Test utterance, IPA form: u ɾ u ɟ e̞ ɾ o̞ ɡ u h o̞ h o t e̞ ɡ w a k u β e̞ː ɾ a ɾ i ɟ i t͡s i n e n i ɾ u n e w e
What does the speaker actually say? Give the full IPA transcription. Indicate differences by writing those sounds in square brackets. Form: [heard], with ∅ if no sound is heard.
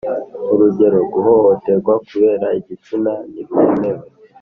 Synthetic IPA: u ɾ u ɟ e̞ ɾ o̞ ɡ u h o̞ h o t e̞ ɡ w a k u β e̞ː ɾ a [∅] i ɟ i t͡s i n [a] n i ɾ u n e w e